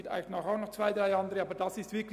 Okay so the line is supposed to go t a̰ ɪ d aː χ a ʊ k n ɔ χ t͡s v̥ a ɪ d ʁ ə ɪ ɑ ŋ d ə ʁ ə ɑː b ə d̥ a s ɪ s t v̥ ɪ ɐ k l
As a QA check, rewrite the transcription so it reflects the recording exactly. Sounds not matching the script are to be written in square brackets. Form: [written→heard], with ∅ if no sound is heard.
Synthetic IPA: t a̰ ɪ [d→n] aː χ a ʊ [k→x] n ɔ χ t͡s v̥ a ɪ d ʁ [ə→a] ɪ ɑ [ŋ→n] d ə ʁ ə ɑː b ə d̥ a s ɪ s t v̥ ɪ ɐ k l